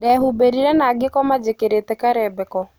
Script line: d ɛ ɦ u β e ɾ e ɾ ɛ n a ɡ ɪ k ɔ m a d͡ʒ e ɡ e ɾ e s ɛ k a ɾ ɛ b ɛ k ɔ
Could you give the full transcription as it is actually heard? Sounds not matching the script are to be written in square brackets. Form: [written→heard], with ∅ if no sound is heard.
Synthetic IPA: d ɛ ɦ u [β→b] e ɾ [e→i] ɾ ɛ n a ɡ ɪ k ɔ m a d͡ʒ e [ɡ→k] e ɾ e [s→t] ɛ k a ɾ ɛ b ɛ k ɔ